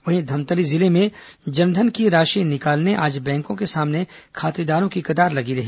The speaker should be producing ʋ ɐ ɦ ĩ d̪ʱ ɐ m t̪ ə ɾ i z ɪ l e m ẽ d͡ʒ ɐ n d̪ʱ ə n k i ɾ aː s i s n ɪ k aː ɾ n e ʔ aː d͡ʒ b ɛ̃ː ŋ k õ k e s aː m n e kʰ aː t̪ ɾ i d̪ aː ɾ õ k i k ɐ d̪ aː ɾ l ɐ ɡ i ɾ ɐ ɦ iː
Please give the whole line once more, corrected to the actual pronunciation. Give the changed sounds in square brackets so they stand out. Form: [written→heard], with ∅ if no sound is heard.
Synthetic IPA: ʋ ɐ ɦ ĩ d̪ʱ ɐ m t̪ ə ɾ i z ɪ l e m ẽ d͡ʒ ɐ n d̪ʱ ə n k i ɾ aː [s→ʃ] i [s→∅] n ɪ k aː [ɾ→l] n e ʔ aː d͡ʒ b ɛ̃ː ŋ k õ k e s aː m n e kʰ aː t̪ ɾ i d̪ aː ɾ õ k i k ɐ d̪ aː ɾ l ɐ ɡ i ɾ ɐ ɦ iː